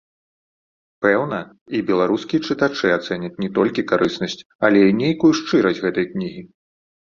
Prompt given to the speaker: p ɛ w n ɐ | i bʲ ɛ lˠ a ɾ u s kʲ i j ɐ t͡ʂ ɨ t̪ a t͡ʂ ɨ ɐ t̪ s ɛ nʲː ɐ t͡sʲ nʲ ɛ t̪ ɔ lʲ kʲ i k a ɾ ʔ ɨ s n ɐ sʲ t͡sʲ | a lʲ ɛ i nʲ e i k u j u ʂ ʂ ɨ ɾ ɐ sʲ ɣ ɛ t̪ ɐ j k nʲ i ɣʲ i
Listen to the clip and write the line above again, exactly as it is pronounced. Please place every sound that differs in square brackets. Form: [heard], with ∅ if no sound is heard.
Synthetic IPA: p ɛ w n ɐ | i bʲ ɛ lˠ a ɾ u s kʲ i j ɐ t͡ʂ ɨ t̪ a t͡ʂ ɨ [a] t̪ s ɛ [nʲ] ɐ t͡sʲ nʲ ɛ t̪ ɔ lʲ kʲ i k a ɾ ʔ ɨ s n ɐ sʲ t͡sʲ | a lʲ ɛ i nʲ e [j] k u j u ʂ [t͡ʂ] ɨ ɾ ɐ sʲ ɣ ɛ t̪ ɐ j k nʲ i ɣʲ i